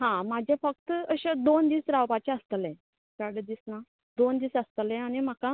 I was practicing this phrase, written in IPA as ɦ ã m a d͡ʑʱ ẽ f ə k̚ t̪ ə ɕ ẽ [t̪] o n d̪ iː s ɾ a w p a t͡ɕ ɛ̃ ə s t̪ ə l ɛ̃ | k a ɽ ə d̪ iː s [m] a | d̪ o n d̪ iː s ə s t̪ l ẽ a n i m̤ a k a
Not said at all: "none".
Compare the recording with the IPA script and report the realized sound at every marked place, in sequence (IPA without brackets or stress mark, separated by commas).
d̪, n